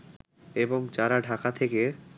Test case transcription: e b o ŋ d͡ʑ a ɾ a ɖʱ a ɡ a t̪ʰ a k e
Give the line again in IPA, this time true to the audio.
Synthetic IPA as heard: e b o ŋ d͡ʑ a ɾ a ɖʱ a k a t̪ʰ e k e